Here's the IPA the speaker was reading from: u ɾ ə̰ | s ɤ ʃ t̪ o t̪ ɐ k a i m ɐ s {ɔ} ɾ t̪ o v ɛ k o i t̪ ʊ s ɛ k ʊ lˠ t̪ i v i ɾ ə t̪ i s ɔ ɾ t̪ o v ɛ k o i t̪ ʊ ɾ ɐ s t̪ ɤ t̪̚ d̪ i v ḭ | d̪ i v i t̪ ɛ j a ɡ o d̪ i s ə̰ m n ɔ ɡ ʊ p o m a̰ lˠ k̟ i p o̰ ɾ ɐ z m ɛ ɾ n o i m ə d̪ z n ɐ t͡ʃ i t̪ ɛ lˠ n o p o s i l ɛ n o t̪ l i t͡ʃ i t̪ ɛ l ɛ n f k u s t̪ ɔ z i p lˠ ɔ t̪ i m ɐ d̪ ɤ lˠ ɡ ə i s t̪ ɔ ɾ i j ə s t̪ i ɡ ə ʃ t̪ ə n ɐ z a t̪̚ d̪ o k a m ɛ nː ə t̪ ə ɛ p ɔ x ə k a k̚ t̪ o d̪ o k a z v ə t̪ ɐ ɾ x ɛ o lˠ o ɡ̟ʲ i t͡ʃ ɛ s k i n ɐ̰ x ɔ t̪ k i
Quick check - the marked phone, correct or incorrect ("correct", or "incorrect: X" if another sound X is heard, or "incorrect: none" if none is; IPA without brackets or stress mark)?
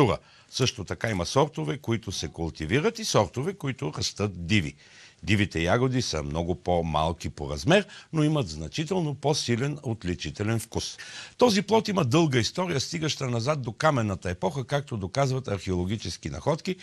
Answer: correct